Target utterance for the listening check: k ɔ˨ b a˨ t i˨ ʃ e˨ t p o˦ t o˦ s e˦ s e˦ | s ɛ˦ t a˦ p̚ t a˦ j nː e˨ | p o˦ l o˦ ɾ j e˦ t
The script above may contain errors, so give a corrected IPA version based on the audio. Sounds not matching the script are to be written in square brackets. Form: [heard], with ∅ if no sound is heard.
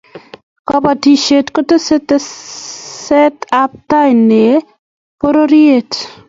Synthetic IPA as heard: k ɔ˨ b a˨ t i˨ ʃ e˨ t [k] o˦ t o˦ s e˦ [t] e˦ | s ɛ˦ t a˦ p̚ t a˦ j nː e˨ | p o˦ [ɾ] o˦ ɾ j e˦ t